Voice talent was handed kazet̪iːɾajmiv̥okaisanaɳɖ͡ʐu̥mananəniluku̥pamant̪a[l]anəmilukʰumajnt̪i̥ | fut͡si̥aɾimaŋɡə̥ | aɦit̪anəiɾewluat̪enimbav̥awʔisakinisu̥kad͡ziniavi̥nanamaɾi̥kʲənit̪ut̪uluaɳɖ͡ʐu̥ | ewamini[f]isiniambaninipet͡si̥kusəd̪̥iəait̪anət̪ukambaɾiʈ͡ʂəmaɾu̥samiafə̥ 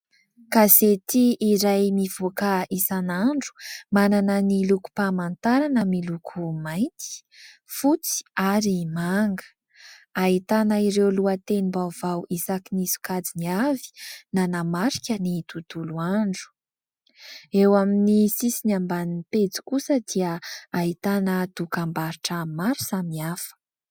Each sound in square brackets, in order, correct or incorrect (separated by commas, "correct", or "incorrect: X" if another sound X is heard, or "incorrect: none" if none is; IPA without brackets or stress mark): incorrect: ɾ, incorrect: s